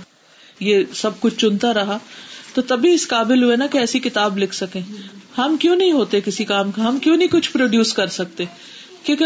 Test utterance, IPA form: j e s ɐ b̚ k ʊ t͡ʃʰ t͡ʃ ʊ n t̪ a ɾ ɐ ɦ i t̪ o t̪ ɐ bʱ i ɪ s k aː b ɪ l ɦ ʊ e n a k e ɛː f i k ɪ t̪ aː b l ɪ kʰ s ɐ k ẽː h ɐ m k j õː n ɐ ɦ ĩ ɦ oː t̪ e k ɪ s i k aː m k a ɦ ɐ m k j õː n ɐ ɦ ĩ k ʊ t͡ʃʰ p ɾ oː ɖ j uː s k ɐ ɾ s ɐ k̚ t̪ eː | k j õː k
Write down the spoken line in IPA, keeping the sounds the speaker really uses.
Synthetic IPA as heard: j e s ɐ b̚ k ʊ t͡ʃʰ t͡ʃ ʊ n t̪ a ɾ ɐ ɦ a t̪ o t̪ ɐ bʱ i ɪ s k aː b ɪ l ɦ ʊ e n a k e ɛː s i k ɪ t̪ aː b l ɪ kʰ s ɐ k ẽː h ɐ m k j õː n ɐ ɦ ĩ ɦ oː t̪ e k ɪ s i k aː m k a ɦ ɐ m k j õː n ɐ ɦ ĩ k ʊ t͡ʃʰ p ɾ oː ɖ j uː s k ɐ ɾ s ɐ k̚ t̪ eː | k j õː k